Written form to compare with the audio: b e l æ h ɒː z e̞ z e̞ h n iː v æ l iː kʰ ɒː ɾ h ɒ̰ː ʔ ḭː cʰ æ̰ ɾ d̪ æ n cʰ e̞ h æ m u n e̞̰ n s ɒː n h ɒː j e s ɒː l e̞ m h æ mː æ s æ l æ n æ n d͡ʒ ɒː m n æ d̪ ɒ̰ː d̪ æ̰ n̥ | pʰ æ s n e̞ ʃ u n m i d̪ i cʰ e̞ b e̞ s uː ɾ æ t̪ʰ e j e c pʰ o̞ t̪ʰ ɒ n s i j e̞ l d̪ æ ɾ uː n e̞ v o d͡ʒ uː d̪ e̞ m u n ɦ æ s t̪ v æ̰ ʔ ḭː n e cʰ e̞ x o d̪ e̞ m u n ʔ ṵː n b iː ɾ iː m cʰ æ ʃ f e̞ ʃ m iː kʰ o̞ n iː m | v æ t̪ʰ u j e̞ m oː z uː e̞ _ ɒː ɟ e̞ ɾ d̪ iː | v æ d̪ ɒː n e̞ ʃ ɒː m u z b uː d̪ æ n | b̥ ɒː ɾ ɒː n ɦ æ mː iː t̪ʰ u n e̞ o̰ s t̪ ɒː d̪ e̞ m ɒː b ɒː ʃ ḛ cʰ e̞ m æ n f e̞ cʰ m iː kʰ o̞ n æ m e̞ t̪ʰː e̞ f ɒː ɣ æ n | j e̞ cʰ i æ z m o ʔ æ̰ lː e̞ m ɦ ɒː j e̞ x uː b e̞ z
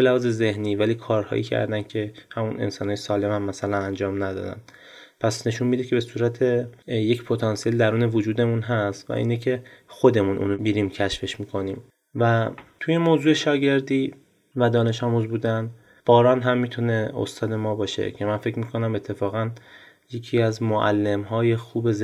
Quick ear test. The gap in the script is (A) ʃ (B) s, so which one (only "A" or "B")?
A